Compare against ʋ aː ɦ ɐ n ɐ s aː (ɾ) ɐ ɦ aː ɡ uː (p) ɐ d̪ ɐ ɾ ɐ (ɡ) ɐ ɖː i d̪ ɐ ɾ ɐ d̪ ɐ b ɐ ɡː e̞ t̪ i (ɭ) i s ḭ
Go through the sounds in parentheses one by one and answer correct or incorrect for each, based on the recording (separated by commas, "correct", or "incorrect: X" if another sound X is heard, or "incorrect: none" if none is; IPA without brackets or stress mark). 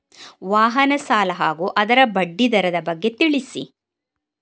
incorrect: l, incorrect: ʔ, incorrect: b, correct